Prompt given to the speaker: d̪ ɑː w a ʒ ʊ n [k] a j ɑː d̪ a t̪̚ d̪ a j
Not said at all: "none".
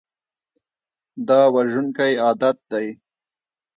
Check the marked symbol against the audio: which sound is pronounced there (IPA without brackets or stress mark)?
k